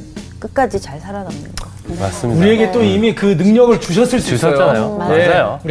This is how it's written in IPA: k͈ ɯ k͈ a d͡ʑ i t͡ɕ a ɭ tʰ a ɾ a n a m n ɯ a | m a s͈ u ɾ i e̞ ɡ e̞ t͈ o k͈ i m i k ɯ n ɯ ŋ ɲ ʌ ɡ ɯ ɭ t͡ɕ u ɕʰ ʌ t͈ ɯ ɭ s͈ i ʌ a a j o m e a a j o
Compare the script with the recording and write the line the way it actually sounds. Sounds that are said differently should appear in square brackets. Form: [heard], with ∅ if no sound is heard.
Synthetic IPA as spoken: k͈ ɯ k͈ a d͡ʑ i t͡ɕ a ɭ [sʰ] a ɾ a n a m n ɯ a | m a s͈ u ɾ i e̞ ɡ e̞ t͈ o [∅] i m i k ɯ n ɯ ŋ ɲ ʌ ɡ ɯ ɭ t͡ɕ u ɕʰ ʌ [s͈] ɯ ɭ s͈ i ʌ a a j o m e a a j o